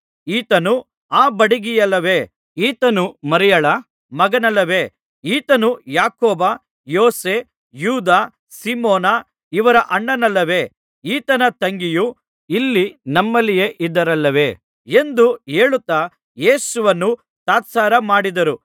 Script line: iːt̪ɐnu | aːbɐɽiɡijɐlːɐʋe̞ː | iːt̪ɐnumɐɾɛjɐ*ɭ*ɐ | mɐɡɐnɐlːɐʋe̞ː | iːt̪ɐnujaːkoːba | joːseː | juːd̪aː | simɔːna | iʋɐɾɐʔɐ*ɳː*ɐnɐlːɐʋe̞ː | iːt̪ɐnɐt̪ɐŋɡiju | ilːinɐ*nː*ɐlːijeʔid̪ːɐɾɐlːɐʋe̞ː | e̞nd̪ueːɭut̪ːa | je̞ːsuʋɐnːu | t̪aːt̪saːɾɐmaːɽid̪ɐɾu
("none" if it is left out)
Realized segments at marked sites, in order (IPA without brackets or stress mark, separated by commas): ɭ, ɳː, mː